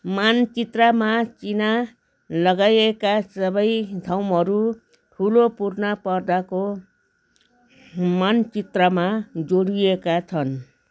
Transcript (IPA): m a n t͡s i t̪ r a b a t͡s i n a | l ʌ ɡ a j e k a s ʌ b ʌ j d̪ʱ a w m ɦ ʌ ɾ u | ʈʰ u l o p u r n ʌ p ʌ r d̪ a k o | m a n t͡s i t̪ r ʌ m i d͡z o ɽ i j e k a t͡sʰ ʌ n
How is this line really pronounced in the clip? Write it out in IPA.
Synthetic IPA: m a n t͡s i t̪ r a m a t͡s i n a | l ʌ ɡ a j e k a s ʌ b ʌ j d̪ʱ a w m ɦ ʌ ɾ u | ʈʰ u l o p u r n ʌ p ʌ r d̪ a k o | m a n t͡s i t̪ r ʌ m a d͡z o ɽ i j e k a t͡sʰ ʌ n